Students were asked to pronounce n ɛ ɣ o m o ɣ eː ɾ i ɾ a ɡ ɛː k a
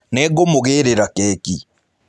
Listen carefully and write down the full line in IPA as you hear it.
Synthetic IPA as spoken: n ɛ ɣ o m o ɣ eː ɾ e ɾ a k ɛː k i

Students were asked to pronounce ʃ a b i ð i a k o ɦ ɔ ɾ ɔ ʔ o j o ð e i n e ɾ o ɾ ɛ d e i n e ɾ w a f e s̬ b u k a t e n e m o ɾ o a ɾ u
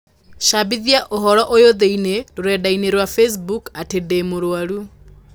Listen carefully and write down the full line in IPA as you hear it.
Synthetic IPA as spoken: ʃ a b i ð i a ʔ o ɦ ɔ ɾ ɔ ʔ o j o ð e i n e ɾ o ɾ ɛ d a i n e ɾ w a f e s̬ b u k a t e d e m o ɾ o a ɾ u

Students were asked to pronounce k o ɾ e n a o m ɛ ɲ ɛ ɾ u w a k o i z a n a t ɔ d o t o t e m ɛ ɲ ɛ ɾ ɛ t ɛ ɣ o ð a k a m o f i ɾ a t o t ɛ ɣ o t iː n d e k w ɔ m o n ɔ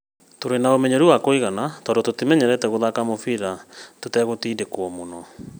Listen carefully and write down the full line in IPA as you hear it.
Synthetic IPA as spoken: t o ɾ e n a o m ɛ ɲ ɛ ɾ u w a k o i ɣ a n a t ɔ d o t o t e m ɛ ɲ ɛ ɾ ɛ t ɛ ɣ o ð a k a m o f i ɾ a t o t ɛ ɣ o t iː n d e k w ɔ m o n ɔ

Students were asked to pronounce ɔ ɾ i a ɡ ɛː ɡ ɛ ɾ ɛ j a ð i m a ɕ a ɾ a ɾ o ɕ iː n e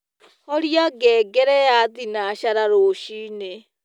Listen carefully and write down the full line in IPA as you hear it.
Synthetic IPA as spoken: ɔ ɾ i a ɡ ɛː ɡ ɛ ɾ ɛ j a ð i n a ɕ a ɾ a ɾ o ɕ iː n e

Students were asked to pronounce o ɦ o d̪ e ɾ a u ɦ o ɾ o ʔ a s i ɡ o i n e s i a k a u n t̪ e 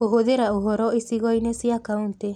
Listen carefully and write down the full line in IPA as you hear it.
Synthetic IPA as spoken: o ɦ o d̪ e ɾ a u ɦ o ɾ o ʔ i s i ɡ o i n e s i a k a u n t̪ e

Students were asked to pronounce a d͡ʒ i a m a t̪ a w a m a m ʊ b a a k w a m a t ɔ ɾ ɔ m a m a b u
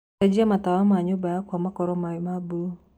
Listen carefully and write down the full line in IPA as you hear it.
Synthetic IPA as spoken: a d͡ʒ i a m a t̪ a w a m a ɲ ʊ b a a k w a m a k ɔ ɾ ɔ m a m a b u

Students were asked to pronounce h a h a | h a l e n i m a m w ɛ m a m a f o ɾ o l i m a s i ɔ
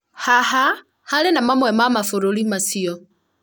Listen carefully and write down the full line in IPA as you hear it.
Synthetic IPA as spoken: h a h a | h a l e n a m a m w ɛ m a m a f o ɾ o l i m a s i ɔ

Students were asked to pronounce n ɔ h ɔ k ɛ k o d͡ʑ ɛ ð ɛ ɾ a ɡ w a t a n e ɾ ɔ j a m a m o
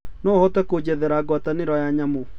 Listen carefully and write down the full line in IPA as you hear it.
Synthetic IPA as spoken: n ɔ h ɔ t ɛ k o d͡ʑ ɛ ð ɛ ɾ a ɡ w a t a n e ɾ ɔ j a ɲ a m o

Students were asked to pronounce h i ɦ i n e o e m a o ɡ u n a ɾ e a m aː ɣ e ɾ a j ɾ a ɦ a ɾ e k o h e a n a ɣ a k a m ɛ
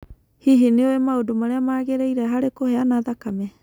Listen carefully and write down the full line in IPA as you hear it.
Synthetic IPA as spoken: h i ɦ i n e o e m a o d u m a ɾ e a m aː ɣ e ɾ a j ɾ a ɦ a ɾ e k o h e a n a ð a k a m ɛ

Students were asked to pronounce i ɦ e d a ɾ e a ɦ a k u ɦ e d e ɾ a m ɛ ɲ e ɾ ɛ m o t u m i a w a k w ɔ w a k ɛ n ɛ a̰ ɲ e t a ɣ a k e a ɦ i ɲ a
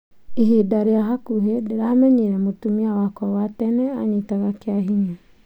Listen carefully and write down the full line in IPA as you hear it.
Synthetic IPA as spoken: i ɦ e d a ɾ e a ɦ a k u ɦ e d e ɾ a m ɛ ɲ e ɾ ɛ m o t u m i a w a k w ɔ w a t ɛ n ɛ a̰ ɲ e t a ɣ a k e a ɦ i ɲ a

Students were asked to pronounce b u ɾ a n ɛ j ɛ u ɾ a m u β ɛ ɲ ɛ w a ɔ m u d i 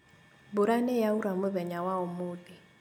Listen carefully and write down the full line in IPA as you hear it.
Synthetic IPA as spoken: b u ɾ a n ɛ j a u ɾ a m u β ɛ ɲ a w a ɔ m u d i

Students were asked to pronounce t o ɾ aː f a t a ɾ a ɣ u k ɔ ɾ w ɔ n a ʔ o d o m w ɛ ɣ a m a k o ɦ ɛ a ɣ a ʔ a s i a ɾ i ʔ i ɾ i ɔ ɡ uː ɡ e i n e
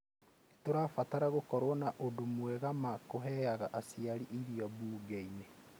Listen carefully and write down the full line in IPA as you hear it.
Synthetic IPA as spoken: t o ɾ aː f a t a ɾ a ɣ o k ɔ ɾ w ɔ n a ʔ o d o m w ɛ ɣ a m a k o ɦ ɛ a ɣ a ʔ a s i a ɾ i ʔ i ɾ i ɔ b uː ɡ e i n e

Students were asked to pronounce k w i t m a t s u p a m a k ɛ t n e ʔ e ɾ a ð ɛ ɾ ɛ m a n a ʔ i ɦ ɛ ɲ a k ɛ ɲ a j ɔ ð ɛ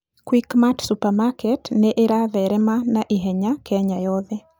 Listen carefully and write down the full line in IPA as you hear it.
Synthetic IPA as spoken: k w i k m a t s u p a m a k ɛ t n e ʔ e ɾ a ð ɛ ɾ ɛ m a n a ʔ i ɦ ɛ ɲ a k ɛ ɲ a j ɔ ð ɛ

